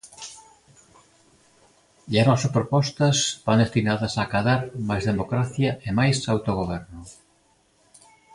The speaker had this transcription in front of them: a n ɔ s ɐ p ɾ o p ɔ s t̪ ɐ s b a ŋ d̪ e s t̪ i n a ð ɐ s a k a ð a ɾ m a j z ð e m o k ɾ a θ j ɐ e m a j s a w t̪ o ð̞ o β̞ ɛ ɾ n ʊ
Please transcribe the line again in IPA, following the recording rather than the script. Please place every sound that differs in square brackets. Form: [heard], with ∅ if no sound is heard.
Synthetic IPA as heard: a n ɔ s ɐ p ɾ o p ɔ s t̪ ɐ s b a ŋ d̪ e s t̪ i n a ð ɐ s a k a ð a ɾ m a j z ð e m o k ɾ a θ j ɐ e m a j s a w t̪ o [ɣ̞] o β̞ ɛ ɾ n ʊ